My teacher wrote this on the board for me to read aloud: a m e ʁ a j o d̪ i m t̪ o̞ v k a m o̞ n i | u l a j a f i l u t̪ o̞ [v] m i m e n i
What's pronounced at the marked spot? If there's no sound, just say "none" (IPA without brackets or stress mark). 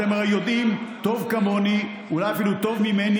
v